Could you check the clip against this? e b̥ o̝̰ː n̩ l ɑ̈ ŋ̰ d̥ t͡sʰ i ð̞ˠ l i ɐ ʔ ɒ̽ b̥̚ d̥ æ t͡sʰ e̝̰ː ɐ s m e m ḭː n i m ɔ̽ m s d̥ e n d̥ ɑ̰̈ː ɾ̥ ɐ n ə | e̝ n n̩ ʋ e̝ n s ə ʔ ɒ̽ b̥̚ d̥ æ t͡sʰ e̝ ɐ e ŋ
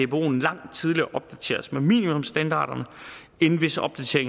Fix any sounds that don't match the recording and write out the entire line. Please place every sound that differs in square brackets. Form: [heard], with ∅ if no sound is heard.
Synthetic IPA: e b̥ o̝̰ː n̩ l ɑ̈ ŋ̰ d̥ t͡sʰ i ð̞ˠ l i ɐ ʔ ɒ̽ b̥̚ d̥ æ t͡sʰ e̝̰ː ɐ s m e m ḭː n i m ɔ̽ m s d̥ [æ] n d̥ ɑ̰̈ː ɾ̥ ɐ n ə | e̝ n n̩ ʋ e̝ [∅] s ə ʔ ɒ̽ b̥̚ d̥ æ t͡sʰ e̝ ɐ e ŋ

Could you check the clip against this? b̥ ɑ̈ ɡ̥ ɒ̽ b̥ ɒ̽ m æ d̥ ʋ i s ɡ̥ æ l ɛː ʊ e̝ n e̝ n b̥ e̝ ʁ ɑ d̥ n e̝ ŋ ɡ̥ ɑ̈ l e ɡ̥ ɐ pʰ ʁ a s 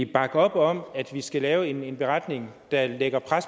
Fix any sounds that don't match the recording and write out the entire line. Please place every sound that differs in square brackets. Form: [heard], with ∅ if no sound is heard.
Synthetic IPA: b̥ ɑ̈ ɡ̥ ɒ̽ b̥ ɒ̽ m æ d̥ ʋ i s ɡ̥ æ l ɛː ʊ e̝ n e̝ n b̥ e̝ ʁ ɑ d̥ n e̝ ŋ [d̥] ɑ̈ l e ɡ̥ ɐ pʰ ʁ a s

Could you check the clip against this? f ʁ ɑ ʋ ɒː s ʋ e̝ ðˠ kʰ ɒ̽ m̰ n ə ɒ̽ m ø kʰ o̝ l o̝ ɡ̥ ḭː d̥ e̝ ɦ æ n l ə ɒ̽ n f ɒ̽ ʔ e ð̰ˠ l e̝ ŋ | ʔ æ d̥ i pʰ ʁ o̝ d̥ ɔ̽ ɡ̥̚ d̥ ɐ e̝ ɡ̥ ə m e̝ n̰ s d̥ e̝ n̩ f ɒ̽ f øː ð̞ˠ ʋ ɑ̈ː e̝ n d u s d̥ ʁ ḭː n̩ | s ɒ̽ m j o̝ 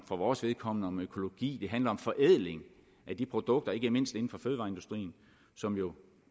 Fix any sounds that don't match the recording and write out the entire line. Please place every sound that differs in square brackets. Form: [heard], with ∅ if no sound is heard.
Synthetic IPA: f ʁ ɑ ʋ ɒː s ʋ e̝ ðˠ kʰ ɒ̽ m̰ n ə ɒ̽ m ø kʰ o̝ l o̝ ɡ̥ ḭː d̥ e̝ ɦ æ n l [ɐ] ɒ̽ [m] f ɒ̽ ʔ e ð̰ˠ l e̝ ŋ | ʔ æ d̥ i pʰ ʁ o̝ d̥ ɔ̽ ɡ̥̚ d̥ ɐ e̝ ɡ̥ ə m e̝ n̰ s d̥ e̝ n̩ f ɒ̽ f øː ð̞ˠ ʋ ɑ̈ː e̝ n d u s d̥ ʁ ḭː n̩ | s ɒ̽ m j o̝

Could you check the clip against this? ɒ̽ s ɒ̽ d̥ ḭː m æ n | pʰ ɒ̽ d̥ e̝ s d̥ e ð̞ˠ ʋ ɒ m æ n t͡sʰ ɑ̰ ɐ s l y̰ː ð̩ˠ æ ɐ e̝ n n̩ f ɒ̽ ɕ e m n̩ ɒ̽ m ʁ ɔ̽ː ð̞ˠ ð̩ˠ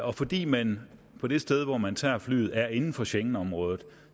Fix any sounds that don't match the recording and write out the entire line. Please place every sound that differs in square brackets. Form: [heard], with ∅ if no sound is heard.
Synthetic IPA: ɒ̽ [f] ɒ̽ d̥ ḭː m æ n | pʰ ɒ̽ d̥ e̝ s d̥ e ð̞ˠ ʋ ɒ m æ n t͡sʰ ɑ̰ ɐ [f] l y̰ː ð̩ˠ æ ɐ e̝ n n̩ f ɒ̽ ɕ e [ŋ] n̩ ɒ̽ m ʁ ɔ̽ː ð̞ˠ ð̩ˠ

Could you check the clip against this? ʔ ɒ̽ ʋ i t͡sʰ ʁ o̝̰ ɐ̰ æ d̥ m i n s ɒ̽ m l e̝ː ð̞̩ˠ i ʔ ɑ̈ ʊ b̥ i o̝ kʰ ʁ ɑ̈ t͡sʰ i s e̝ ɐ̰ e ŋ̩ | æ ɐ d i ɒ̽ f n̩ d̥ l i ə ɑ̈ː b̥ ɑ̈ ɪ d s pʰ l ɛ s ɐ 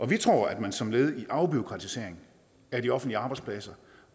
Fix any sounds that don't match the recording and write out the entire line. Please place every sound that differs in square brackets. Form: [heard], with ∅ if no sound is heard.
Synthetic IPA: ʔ ɒ̽ ʋ i t͡sʰ ʁ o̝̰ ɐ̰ æ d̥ m [æ] n s ɒ̽ m l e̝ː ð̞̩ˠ i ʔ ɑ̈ ʊ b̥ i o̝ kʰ ʁ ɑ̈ t͡sʰ i s e̝ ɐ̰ e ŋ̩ | æ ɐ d i ɒ̽ f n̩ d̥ l i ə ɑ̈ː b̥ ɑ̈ ɪ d s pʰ l ɛ s ɐ

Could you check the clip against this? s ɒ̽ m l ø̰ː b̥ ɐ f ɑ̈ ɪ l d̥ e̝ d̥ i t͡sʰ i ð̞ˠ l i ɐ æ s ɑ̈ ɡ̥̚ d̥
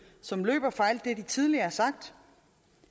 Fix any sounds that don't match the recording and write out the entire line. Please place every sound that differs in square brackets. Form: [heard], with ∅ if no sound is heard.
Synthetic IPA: s ɒ̽ m l ø̰ː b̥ ɐ f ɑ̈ ɪ l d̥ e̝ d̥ i t͡sʰ i ð̞ˠ l i ɐ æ s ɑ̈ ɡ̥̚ d̥

